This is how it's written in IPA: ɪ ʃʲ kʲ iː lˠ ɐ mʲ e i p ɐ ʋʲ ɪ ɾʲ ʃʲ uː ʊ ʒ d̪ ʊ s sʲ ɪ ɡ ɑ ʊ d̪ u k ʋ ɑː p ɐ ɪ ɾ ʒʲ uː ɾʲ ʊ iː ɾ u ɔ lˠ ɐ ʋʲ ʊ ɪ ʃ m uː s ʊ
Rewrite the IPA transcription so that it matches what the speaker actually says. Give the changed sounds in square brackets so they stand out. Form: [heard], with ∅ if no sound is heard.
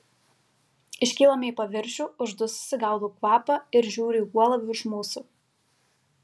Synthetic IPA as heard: ɪ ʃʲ kʲ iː lˠ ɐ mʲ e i p ɐ ʋʲ ɪ ɾʲ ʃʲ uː ʊ ʒ d̪ ʊ s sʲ ɪ ɡ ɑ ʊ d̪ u k ʋ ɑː p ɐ ɪ ɾ ʒʲ uː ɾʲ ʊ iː [∅] u ɔ lˠ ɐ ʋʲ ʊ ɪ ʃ m uː s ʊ